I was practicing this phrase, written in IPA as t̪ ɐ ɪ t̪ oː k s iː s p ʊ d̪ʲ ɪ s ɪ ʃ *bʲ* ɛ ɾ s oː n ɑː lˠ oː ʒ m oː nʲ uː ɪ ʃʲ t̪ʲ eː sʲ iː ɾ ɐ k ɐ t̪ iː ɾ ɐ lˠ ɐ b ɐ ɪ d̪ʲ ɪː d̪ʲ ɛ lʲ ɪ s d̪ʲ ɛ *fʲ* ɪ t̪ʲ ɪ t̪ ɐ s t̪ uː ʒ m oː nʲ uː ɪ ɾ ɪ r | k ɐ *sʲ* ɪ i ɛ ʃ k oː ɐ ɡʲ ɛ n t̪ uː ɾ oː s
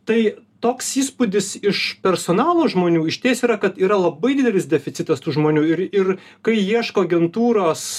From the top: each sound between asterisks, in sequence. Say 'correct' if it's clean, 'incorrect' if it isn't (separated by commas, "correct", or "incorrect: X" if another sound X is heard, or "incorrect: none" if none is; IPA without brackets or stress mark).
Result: incorrect: pʲ, correct, incorrect: none